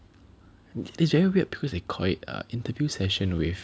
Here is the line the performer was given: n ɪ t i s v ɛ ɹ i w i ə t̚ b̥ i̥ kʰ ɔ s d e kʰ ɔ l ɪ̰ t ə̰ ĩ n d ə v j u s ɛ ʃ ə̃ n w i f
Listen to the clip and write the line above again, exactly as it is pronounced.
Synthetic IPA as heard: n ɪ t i s v ɛ ɹ i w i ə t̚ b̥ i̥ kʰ ɔ s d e kʰ ɔ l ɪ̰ t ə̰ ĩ n t ə v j u s ɛ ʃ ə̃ n w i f